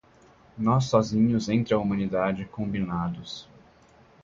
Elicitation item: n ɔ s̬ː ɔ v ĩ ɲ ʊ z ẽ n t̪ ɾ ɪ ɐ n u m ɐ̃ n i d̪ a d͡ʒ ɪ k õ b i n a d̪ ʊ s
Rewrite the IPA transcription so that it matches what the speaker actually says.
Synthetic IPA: n ɔ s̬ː ɔ z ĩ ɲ ʊ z ẽ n t̪ ɾ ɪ ɐ u m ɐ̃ n i d̪ a d͡ʒ ɪ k õ b i n a d̪ ʊ s